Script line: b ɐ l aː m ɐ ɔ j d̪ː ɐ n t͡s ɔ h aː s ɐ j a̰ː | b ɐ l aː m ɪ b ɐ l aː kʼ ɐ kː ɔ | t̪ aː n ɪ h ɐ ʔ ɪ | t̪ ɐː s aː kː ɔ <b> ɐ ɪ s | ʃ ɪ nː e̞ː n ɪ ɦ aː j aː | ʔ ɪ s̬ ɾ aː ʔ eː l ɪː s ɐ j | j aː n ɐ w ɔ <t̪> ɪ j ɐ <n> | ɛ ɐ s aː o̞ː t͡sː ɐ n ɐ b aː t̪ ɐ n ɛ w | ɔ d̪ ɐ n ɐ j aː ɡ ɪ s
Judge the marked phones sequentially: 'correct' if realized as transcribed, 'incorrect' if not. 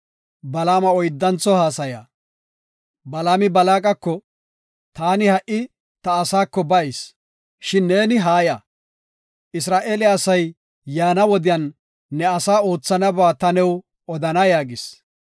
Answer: correct, incorrect: d̪, incorrect: nː

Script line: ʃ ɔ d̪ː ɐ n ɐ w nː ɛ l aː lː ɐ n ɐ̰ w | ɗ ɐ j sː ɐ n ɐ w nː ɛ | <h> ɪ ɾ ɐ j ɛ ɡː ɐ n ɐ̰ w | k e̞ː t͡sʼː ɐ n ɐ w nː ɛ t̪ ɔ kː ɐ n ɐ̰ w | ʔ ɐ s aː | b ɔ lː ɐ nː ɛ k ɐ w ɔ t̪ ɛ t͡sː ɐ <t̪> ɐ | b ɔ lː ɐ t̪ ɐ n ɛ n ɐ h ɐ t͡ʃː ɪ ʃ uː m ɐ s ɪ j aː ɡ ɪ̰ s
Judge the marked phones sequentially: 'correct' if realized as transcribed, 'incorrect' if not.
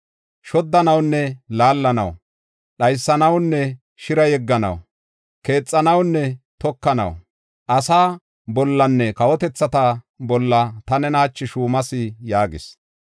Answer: incorrect: ʃ, correct

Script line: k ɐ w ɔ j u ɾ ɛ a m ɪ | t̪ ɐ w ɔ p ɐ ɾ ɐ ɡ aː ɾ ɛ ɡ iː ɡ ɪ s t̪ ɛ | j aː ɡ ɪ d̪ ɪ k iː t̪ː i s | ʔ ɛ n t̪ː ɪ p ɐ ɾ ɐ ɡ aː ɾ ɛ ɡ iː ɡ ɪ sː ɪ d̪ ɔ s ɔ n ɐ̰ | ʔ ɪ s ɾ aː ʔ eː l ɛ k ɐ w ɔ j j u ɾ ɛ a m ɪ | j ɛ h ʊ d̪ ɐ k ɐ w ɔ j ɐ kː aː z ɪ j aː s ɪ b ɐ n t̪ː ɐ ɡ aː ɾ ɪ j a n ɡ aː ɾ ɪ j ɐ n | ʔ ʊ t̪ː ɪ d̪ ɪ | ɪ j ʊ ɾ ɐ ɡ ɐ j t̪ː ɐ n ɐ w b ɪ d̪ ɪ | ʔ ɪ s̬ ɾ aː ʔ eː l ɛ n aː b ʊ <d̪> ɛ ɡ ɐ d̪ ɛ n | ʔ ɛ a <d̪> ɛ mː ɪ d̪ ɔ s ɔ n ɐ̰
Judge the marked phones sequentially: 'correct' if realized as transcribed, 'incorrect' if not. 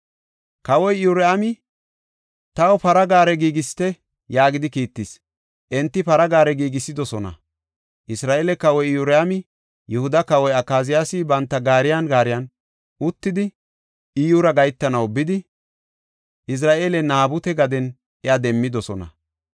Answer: incorrect: t̪, correct

